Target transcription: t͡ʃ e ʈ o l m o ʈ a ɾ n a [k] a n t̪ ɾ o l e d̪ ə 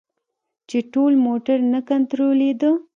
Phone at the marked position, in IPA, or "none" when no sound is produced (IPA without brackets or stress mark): k